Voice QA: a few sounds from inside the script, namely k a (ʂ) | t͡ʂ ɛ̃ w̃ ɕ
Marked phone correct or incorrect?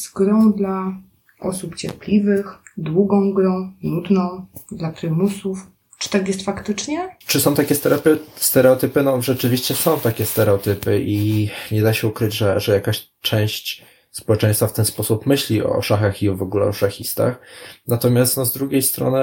incorrect